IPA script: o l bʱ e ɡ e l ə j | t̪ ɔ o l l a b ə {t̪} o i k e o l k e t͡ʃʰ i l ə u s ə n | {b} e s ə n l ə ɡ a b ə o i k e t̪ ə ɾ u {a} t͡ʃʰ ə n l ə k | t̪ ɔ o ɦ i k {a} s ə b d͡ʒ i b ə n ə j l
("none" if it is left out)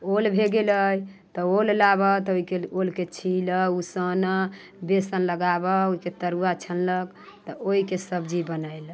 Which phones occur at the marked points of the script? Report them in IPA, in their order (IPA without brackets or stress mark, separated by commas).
t̪, b, a, e